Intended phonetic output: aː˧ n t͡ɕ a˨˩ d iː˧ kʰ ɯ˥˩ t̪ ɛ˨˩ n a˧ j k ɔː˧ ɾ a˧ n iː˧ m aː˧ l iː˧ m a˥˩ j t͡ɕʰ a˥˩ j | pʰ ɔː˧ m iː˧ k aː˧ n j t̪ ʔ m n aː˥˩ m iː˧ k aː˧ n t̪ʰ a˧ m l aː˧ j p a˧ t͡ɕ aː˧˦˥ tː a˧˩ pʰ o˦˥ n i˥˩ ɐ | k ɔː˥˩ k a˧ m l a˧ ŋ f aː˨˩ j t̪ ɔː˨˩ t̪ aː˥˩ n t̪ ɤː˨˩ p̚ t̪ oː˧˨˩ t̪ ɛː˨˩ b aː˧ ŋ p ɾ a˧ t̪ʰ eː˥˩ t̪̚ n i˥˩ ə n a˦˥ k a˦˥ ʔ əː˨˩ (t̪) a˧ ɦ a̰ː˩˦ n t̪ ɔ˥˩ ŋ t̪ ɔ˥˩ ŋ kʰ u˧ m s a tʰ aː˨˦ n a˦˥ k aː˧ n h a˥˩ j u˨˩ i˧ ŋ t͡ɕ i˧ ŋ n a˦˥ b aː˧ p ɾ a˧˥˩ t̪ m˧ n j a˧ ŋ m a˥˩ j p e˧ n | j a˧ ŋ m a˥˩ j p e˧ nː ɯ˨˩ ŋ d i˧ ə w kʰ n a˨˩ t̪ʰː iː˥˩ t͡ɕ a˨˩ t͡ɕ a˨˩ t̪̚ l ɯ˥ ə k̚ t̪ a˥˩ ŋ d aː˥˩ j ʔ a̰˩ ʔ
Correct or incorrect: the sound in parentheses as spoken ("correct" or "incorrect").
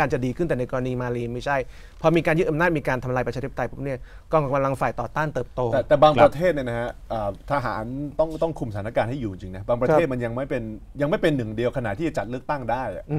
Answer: incorrect